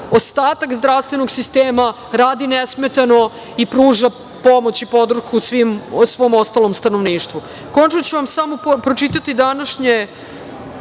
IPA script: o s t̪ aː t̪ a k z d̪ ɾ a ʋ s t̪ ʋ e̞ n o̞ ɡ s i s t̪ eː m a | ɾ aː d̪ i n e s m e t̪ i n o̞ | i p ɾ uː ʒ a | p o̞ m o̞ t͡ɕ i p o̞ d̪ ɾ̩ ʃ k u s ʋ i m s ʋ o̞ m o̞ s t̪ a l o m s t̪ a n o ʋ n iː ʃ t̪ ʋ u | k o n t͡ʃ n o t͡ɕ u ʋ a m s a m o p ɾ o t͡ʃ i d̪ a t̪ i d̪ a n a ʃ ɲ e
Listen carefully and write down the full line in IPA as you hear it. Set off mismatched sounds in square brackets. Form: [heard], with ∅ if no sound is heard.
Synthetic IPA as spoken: o s t̪ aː t̪ a k z d̪ ɾ a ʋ s t̪ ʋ e̞ n o̞ ɡ s i s t̪ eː m a | ɾ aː d̪ i n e s m e t̪ [a] n o̞ | i p ɾ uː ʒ a | p o̞ m o̞ t͡ɕ i p o̞ d̪ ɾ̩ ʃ k u s ʋ i m s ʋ o̞ m o̞ s t̪ a l o m s t̪ a n o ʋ n iː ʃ t̪ ʋ u | k o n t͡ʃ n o t͡ɕ u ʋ a m s a m o p ɾ o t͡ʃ i [t̪] a t̪ i d̪ a n a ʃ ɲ e